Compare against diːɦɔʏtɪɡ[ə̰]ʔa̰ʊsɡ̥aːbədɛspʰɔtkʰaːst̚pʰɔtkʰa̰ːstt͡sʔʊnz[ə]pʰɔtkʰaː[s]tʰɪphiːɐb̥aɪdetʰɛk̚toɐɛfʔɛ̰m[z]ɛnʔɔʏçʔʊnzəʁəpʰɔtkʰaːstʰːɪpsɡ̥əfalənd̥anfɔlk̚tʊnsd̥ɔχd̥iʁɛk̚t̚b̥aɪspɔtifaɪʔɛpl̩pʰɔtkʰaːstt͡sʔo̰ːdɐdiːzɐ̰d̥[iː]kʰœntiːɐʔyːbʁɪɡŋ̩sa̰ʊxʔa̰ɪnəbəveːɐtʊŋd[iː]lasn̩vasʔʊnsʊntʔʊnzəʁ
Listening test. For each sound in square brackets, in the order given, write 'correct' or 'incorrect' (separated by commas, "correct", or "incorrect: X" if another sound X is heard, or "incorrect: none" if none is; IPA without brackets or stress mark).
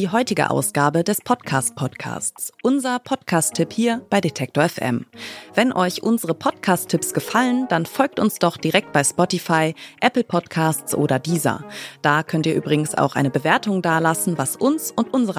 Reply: correct, incorrect: ɐ, correct, incorrect: v, incorrect: aː, incorrect: aː